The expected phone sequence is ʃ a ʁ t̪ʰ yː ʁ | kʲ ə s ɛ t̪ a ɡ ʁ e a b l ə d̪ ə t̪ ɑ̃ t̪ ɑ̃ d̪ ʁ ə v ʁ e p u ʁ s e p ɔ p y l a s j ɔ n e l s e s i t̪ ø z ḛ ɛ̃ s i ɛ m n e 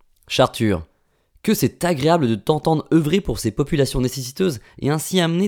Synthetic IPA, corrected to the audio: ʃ a ʁ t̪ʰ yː ʁ | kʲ ə s ɛ t̪ a ɡ ʁ e a b l ə d̪ ə t̪ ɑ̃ t̪ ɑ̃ d̪ ʁ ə v ʁ e p u ʁ s e p ɔ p y l a s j ɔ̃ n e s e s i t̪ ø z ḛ ɛ̃ s i a m n e